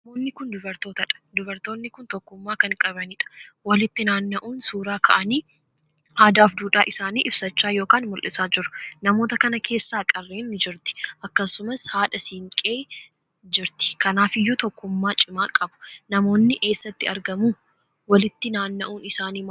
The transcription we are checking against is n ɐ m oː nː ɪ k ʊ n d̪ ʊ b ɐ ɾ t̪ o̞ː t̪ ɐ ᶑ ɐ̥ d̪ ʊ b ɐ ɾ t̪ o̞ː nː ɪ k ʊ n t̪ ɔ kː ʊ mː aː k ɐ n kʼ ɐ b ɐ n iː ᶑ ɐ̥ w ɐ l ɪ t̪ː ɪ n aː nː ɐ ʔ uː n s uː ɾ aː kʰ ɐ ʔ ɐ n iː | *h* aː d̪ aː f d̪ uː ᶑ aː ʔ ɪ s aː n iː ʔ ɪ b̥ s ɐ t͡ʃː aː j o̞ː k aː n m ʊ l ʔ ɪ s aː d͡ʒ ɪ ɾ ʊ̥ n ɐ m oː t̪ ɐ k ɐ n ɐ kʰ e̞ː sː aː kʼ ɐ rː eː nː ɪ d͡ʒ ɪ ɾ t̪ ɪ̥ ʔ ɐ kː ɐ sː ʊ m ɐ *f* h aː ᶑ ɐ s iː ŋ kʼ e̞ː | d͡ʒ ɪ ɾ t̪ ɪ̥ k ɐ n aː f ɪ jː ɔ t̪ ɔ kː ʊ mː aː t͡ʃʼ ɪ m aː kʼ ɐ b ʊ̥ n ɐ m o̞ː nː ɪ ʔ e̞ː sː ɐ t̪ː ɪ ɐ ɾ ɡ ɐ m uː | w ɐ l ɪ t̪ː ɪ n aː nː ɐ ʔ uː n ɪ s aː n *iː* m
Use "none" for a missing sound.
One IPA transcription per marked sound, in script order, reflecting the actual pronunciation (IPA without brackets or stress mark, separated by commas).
h, s, iː